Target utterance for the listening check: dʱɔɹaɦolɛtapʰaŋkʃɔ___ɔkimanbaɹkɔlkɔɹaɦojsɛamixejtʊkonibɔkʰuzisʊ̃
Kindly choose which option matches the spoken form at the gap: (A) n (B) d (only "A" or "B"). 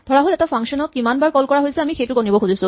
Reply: A